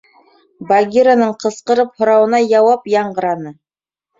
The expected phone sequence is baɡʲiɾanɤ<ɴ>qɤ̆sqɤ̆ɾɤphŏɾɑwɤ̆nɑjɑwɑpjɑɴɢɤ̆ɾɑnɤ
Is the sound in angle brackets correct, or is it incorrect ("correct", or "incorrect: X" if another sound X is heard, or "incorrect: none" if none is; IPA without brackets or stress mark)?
correct